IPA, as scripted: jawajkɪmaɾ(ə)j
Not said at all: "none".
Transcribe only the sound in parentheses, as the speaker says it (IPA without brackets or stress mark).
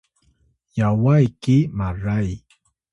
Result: a